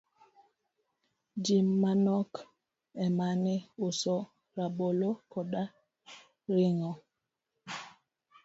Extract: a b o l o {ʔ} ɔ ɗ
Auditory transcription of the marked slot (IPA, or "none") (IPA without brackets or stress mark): k